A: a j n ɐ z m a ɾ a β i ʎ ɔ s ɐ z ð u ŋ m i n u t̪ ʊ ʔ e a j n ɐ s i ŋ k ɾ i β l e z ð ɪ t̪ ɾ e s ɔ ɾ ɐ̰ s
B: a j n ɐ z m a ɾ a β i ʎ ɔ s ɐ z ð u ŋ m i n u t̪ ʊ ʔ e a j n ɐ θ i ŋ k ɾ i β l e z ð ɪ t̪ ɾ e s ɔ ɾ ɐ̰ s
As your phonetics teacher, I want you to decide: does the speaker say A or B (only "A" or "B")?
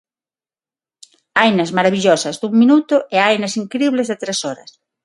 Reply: A